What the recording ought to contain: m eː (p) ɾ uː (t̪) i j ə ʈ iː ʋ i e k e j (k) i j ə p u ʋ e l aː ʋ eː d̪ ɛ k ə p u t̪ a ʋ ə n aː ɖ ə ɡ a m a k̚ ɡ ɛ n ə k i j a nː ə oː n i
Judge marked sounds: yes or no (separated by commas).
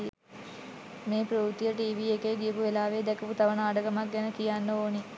yes, yes, no